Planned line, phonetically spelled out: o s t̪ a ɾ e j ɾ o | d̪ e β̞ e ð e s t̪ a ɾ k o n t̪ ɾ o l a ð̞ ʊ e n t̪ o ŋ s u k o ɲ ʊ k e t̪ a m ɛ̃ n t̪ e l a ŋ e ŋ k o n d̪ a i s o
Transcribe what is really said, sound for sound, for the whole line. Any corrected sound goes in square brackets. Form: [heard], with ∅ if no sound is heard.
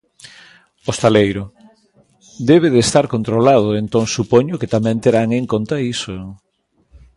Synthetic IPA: o s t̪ a [l] e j ɾ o | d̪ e β̞ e ð e s t̪ a ɾ k o n t̪ ɾ o l a ð̞ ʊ e n t̪ o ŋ s u [p] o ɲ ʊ k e t̪ a m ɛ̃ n t̪ e [ɾ] a ŋ e ŋ k o n [t̪] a i s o